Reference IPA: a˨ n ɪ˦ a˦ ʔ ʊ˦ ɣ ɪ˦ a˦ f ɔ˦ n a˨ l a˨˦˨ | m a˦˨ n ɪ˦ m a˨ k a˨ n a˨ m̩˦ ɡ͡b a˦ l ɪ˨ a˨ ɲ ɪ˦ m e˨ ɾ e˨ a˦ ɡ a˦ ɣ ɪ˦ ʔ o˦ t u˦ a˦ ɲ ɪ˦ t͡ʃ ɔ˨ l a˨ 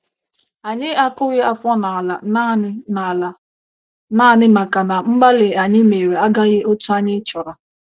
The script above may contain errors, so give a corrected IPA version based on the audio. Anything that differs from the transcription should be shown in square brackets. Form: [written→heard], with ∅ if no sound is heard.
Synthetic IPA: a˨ [n→ɲ] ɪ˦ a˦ [ʔ→k] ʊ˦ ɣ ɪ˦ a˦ f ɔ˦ n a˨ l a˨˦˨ | [m→n] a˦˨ n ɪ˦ m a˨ k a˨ n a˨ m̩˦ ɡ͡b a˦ l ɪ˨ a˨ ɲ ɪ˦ m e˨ ɾ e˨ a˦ ɡ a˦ ɣ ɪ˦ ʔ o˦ t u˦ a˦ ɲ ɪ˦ t͡ʃ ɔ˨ [l→ɾ] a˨